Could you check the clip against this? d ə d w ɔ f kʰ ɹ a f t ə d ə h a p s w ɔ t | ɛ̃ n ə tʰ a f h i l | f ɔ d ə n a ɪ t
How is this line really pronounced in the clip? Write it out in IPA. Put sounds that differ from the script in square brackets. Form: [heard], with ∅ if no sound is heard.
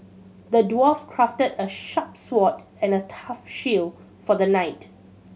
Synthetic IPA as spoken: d ə d w ɔ f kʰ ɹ a f t ə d ə [ʃ] a p s w ɔ t | ɛ̃ n ə tʰ a f [ʃ] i l | f ɔ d ə n a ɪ t